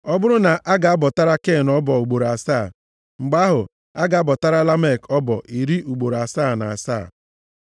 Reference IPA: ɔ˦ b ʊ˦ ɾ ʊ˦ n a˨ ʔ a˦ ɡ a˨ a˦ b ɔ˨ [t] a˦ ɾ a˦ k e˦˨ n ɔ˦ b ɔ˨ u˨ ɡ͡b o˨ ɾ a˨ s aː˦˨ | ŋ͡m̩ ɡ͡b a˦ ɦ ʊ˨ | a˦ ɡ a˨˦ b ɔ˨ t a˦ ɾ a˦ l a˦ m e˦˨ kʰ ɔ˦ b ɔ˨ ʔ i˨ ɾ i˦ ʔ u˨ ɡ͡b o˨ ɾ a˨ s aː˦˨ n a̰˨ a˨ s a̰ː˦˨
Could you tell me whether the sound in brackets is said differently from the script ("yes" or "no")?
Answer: no